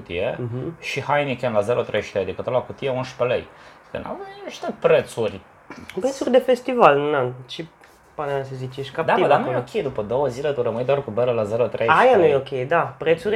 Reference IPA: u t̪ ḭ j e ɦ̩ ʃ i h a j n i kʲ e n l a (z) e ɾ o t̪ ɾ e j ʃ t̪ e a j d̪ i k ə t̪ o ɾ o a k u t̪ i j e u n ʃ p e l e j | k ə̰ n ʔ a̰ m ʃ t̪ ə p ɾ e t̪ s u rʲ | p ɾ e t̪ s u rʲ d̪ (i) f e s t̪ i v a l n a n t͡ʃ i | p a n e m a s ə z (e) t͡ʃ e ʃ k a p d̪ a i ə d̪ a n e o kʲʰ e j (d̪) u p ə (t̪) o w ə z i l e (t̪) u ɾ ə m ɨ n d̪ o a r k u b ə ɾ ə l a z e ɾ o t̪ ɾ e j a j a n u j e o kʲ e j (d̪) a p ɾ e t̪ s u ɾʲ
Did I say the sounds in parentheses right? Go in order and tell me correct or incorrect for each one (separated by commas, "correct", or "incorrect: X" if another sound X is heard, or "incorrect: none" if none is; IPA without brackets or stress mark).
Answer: correct, incorrect: e, incorrect: i, correct, incorrect: d̪, correct, correct